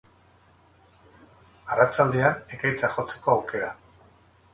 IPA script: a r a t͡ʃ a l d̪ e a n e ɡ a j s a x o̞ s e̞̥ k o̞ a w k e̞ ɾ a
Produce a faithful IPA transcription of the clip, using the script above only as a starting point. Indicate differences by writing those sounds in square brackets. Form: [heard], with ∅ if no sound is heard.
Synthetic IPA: a r a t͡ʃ a l d̪ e a n e [k] a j [t͡s] a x o̞ [t͡s] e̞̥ k o̞ a w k e̞ ɾ a